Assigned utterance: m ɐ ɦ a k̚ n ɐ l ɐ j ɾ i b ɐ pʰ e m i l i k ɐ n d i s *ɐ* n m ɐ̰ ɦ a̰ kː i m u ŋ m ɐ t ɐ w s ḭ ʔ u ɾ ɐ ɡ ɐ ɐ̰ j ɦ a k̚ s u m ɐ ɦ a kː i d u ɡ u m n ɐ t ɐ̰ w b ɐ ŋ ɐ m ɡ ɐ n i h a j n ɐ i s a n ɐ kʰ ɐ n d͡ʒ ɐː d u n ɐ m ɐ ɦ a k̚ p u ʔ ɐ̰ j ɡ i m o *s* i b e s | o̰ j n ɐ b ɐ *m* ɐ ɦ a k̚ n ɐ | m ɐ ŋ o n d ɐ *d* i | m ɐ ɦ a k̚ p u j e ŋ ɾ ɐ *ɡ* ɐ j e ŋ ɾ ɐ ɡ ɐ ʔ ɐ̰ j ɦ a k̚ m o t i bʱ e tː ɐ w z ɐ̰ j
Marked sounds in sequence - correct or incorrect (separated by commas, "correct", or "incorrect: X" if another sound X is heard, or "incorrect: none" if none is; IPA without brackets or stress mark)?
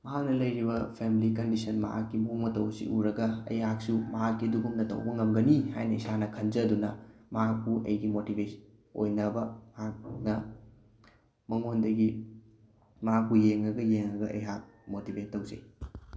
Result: correct, incorrect: t, correct, incorrect: ɡ, correct